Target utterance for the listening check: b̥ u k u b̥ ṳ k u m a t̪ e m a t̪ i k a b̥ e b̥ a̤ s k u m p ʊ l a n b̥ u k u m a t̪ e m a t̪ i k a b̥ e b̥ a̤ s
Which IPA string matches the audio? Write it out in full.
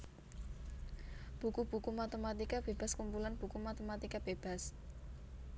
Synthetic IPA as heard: b̥ u k u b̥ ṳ k u m a t̪ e m a t̪ i k a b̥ e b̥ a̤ s k u m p u l a n b̥ u k u m a t̪ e m a t̪ i k a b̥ e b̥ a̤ s